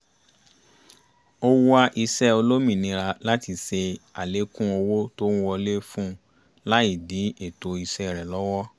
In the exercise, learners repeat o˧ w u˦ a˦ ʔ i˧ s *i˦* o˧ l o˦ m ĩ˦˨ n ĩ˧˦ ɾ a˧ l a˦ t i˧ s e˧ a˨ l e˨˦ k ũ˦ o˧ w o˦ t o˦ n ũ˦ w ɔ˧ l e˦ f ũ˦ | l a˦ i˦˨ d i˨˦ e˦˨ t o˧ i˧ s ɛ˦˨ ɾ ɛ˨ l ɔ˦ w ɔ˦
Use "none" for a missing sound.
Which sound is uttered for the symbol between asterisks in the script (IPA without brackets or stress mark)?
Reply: ɛ˦